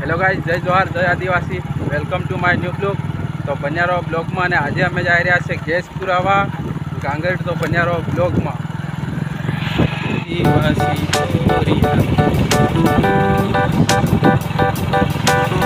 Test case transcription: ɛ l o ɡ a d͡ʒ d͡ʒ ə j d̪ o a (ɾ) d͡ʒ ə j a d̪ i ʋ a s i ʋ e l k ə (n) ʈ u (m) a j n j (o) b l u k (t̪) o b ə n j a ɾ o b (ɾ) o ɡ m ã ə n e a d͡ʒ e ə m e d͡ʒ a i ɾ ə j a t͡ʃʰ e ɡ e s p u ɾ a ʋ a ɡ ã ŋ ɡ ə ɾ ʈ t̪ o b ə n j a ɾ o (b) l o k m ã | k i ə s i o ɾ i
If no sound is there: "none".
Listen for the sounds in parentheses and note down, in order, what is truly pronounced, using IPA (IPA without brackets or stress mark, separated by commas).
ɾ, m, m, u, t̪, l, b